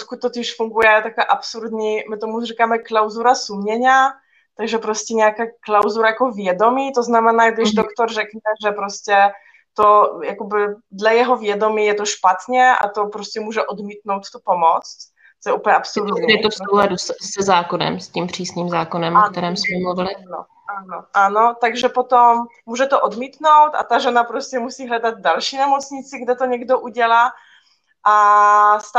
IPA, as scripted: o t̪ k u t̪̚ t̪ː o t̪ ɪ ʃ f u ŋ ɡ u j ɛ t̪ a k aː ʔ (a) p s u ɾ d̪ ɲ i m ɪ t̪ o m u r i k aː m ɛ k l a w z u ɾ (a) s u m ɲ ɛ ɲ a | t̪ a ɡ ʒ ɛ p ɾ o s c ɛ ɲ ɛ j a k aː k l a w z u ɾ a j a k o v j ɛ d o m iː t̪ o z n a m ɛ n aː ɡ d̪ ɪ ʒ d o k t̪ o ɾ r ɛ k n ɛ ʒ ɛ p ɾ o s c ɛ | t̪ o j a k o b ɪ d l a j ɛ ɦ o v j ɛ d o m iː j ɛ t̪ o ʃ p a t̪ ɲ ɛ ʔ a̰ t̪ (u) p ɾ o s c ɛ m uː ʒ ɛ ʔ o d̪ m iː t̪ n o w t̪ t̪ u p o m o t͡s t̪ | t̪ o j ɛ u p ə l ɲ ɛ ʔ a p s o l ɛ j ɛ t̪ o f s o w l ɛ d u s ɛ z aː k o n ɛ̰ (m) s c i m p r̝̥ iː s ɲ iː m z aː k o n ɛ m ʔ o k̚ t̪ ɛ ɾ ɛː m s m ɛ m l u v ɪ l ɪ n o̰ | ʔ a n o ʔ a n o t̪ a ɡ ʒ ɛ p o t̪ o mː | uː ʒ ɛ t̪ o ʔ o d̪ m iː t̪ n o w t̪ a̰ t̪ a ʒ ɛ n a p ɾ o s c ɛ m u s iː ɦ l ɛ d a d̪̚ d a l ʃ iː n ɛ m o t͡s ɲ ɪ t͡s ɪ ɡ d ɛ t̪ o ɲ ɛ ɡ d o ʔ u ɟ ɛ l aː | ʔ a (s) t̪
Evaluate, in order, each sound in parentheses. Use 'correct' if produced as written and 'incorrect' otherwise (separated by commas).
correct, correct, incorrect, correct, correct